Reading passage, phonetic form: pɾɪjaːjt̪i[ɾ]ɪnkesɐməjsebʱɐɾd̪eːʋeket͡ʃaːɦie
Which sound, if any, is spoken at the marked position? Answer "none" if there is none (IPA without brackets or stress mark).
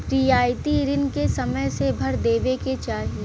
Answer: ɾ